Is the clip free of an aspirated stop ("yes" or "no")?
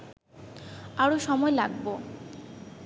yes